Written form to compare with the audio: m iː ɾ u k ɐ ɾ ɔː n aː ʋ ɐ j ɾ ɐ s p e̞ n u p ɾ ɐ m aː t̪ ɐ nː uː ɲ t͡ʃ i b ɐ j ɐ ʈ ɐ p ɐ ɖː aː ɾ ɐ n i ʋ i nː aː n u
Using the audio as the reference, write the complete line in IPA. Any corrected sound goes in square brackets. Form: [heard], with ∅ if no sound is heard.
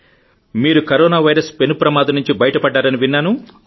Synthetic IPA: m iː ɾ u k ɐ ɾ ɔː n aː ʋ ɐ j ɾ ɐ s p e̞ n u p ɾ ɐ m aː [d̪] ɐ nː [u] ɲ t͡ʃ i b ɐ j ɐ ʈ ɐ p ɐ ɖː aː ɾ ɐ n i ʋ i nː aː n u